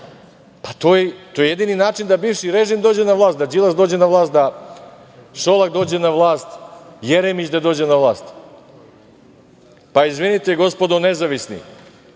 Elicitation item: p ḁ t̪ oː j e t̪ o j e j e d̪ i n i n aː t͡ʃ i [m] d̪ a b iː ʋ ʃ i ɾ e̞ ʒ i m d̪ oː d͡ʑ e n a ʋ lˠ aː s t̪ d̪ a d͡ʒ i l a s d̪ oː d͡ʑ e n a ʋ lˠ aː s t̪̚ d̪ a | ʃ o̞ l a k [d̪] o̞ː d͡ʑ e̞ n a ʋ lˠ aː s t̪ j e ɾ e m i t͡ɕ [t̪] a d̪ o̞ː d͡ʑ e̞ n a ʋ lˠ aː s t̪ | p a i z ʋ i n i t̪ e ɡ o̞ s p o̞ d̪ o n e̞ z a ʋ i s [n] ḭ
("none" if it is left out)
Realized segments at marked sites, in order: n, d̪, d̪, n

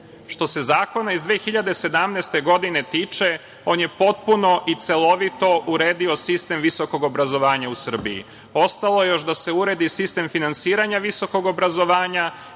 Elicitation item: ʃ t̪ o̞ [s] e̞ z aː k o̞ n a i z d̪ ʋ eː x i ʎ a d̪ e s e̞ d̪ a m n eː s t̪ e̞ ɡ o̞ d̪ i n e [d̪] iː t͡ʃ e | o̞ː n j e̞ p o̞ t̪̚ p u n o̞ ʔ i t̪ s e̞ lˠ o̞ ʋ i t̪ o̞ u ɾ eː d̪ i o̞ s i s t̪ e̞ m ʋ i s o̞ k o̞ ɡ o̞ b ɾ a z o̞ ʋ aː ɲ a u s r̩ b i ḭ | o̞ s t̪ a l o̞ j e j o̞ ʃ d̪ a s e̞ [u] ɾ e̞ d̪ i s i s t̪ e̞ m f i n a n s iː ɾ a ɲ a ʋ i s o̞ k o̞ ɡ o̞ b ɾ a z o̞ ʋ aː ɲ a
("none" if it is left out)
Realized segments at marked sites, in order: s, t̪, u

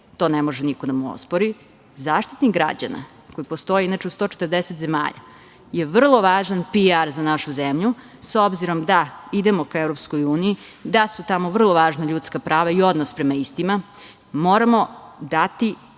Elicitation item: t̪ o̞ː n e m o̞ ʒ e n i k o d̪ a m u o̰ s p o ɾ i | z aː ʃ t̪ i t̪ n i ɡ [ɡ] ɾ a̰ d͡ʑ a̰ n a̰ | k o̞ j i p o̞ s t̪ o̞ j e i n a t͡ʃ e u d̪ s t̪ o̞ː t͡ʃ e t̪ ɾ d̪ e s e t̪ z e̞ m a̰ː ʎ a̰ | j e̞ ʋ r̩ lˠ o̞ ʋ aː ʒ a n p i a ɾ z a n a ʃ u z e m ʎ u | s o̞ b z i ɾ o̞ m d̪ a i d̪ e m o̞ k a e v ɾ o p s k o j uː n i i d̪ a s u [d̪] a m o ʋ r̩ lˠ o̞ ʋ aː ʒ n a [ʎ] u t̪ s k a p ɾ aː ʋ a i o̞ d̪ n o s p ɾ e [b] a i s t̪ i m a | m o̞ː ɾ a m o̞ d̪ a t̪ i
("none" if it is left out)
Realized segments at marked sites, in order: ɡ, t̪, ʎ, m

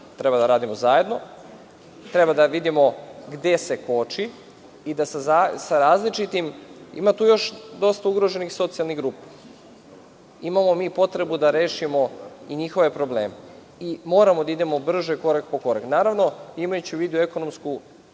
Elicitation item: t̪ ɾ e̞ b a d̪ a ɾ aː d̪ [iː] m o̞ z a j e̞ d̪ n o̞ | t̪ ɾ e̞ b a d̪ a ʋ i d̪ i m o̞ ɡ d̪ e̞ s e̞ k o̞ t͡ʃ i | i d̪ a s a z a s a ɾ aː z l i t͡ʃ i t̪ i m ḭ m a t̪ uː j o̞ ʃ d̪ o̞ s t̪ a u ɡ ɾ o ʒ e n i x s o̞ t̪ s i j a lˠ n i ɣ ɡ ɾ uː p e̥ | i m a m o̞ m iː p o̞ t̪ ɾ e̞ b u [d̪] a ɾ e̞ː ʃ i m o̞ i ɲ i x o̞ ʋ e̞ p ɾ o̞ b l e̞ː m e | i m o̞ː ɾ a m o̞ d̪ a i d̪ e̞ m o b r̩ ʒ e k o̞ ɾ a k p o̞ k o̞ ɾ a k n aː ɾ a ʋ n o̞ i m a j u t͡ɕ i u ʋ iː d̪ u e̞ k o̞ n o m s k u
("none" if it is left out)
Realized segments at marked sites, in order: i, d̪

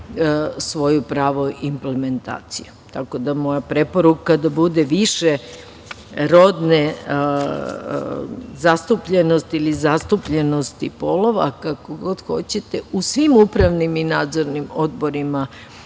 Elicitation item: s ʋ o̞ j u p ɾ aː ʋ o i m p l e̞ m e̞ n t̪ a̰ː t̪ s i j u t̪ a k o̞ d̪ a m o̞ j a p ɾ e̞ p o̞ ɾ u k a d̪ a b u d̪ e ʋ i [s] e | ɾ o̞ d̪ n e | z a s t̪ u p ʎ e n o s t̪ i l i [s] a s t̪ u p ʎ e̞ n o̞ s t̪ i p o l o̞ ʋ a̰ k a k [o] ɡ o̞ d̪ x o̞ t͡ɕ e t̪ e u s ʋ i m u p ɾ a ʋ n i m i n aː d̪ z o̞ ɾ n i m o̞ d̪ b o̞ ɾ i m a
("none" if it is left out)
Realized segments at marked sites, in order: ʃ, z, o

